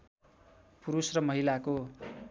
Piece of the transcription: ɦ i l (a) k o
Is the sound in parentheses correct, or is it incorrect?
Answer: correct